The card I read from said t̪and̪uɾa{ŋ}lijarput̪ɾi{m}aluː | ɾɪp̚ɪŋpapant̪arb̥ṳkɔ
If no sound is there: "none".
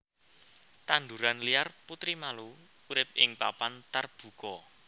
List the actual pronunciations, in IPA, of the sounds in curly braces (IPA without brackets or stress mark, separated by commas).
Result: n, m